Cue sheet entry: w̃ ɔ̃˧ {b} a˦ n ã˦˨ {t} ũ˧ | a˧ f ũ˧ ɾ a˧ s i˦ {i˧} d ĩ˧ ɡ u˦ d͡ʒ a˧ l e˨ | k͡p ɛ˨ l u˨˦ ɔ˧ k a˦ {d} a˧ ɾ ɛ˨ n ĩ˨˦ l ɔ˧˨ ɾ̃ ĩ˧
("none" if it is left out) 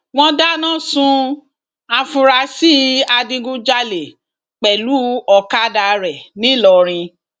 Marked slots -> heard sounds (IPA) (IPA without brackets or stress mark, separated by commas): d, s, a˧, d